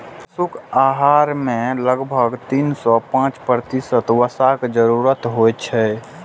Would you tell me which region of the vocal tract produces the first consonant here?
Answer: tongue tip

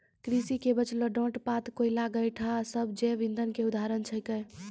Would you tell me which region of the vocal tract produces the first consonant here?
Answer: velum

